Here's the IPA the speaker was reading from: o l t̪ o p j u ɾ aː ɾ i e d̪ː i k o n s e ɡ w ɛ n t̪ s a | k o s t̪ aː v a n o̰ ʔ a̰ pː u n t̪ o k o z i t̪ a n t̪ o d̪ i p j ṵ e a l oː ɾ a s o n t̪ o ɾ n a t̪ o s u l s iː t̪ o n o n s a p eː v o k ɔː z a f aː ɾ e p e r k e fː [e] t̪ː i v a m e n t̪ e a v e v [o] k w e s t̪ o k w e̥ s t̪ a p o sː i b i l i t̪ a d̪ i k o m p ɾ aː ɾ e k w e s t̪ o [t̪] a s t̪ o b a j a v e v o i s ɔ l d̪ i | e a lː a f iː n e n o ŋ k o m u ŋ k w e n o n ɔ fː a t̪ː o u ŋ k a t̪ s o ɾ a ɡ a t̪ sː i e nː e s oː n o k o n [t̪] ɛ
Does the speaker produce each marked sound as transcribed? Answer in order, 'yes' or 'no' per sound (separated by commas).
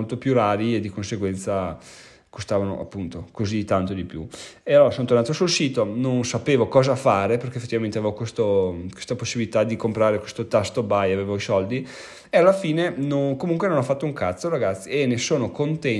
yes, yes, yes, yes